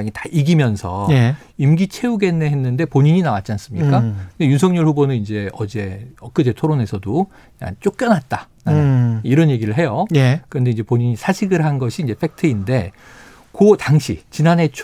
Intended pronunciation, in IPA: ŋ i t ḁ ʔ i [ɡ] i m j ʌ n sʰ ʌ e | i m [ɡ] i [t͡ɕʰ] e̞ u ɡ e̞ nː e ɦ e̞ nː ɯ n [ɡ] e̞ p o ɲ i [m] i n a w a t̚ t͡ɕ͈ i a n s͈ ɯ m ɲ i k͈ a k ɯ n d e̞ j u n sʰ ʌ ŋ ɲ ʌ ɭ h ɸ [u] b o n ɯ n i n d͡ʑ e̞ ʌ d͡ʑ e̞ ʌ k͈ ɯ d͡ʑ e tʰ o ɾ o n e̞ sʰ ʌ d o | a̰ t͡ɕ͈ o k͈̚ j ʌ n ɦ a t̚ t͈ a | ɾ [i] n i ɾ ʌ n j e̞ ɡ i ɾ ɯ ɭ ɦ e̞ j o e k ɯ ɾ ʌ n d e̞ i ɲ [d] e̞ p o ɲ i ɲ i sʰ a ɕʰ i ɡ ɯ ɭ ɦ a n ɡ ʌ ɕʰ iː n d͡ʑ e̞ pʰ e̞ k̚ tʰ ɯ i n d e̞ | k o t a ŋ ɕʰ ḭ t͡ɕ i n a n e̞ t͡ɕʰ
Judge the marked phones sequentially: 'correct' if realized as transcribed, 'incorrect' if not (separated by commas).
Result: correct, correct, correct, incorrect, incorrect, correct, incorrect, incorrect